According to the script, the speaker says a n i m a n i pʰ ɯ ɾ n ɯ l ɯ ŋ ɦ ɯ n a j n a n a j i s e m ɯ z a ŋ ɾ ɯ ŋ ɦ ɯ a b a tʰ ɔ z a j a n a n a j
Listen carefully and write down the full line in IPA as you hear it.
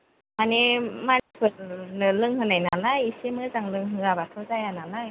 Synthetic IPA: a n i m a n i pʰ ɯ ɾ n ɯ l ɯ ŋ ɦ ɯ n a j n a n a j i s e m ɯ z a ŋ l ɯ ŋ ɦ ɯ a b a tʰ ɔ z a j a n a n a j